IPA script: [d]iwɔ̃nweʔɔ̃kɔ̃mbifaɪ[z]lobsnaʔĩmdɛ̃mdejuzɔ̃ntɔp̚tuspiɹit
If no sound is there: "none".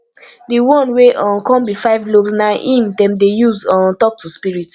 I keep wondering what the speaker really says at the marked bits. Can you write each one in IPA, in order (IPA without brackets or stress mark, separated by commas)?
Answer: d, v